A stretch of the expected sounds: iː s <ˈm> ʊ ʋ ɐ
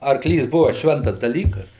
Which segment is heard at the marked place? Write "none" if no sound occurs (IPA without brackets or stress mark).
b